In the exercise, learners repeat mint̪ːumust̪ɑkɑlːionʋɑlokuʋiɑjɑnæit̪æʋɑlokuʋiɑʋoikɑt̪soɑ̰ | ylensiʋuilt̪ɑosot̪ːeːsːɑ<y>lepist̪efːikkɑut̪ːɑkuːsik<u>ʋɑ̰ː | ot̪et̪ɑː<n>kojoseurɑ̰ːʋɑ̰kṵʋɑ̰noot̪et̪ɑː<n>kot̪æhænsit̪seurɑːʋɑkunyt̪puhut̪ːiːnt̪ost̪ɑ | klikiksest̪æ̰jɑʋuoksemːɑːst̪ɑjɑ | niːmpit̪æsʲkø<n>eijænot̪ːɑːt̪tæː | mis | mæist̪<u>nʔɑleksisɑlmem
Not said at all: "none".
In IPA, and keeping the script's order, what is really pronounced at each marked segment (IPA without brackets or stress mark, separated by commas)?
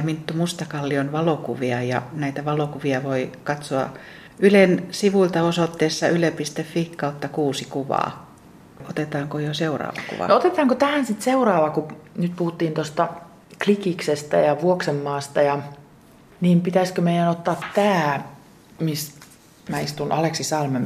y, u, ŋ, ŋ, m, u